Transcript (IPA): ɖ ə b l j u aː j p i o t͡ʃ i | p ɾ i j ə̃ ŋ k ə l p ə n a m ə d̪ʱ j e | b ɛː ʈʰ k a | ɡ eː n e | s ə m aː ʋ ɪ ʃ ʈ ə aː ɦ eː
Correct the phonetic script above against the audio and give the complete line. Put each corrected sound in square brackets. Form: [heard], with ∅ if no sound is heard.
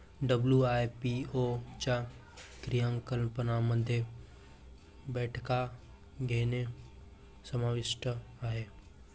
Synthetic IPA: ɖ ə b l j u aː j p i o t͡ʃ [a] | [k] ɾ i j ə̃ ŋ k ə l p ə n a m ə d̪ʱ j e | b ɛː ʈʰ k a | ɡ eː n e | s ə m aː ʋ ɪ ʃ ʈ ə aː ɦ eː